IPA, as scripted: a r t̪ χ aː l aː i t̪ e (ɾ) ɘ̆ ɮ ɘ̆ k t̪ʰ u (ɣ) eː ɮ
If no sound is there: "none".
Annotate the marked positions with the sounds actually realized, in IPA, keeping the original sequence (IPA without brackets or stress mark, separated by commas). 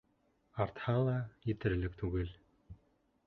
ɾ, ɣ